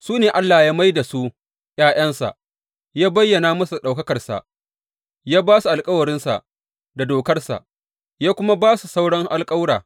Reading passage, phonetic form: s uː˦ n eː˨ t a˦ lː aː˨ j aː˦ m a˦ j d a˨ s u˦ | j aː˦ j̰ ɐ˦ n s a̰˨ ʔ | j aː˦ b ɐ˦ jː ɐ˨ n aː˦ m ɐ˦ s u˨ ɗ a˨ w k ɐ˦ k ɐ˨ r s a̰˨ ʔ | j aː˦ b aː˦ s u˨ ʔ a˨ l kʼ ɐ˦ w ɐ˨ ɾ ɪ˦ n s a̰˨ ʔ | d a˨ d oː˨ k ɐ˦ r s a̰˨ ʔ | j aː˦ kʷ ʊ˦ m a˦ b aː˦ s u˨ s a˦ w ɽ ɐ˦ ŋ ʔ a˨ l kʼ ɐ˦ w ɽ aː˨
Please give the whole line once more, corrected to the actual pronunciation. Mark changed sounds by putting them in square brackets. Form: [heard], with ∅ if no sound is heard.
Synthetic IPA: s uː˦ n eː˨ [ʔ] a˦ lː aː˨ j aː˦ m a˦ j d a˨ s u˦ | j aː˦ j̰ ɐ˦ n s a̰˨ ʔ | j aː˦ b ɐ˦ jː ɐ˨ n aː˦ m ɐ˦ s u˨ ɗ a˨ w k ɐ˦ k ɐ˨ r s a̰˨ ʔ | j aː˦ b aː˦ s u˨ ʔ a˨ l kʼ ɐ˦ w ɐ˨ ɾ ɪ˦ n s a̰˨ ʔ | d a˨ d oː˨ k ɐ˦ r s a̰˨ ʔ | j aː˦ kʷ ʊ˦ m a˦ b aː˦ s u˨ s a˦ w ɽ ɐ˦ ŋ ʔ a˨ l kʼ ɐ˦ w ɽ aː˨